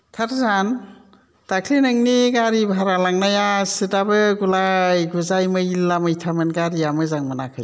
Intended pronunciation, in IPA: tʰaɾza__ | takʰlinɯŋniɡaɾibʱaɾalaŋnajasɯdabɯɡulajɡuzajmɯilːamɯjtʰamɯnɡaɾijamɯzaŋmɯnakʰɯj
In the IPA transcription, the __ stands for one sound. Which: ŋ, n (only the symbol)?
n